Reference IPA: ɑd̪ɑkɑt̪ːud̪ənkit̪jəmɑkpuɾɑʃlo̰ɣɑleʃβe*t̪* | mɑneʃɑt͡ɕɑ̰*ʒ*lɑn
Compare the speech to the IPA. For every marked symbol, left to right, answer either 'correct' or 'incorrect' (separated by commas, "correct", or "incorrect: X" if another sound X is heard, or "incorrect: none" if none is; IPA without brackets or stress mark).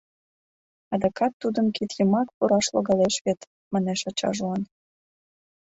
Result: correct, correct